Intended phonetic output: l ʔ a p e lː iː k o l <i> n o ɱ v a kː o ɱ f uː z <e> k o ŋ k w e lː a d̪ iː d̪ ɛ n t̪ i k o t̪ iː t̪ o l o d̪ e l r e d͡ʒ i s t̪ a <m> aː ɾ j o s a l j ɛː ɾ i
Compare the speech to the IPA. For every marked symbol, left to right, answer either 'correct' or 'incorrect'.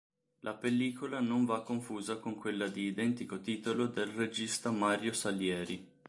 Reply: incorrect: a, incorrect: a, correct

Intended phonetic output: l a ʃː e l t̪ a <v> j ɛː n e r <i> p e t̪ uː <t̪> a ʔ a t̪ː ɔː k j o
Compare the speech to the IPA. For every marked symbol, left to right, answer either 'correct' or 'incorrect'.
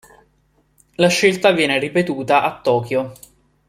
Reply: correct, correct, correct

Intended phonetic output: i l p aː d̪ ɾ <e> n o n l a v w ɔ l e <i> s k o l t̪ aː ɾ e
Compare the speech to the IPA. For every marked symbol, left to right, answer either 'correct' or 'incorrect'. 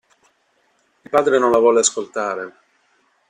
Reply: correct, incorrect: a

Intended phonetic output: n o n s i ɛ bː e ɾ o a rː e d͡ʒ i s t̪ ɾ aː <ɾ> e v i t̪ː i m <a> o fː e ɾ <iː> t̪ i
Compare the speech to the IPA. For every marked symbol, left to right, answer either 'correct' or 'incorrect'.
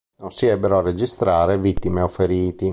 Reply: correct, incorrect: e, correct

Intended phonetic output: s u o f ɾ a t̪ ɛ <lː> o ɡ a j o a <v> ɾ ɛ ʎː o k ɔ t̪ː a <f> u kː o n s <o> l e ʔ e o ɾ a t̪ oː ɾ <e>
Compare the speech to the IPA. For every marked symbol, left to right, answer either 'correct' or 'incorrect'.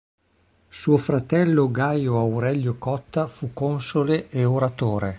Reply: correct, incorrect: w, correct, correct, correct

